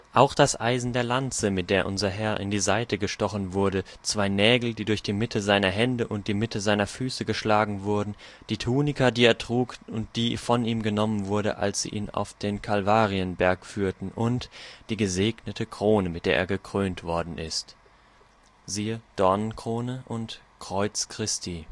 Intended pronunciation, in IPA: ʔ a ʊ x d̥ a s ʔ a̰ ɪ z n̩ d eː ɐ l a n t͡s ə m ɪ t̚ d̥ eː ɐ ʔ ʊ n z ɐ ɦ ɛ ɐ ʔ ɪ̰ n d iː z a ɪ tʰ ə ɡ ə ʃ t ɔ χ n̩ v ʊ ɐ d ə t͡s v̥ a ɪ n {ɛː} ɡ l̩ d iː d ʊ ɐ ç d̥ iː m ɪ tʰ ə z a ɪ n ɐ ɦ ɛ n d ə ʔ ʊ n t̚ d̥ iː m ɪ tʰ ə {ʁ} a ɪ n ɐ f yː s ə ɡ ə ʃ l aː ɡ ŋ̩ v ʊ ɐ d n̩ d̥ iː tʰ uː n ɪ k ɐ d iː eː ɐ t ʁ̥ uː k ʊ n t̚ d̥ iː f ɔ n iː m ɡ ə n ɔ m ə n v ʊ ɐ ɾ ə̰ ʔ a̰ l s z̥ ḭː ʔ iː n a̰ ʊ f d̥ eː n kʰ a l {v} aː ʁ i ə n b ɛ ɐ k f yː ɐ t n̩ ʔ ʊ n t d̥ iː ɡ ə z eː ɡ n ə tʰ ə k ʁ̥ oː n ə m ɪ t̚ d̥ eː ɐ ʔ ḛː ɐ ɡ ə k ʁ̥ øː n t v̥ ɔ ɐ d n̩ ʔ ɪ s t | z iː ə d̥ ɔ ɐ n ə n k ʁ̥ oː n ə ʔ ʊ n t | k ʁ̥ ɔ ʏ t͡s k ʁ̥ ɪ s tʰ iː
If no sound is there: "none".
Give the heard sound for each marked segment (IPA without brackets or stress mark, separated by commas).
ɛː, z, v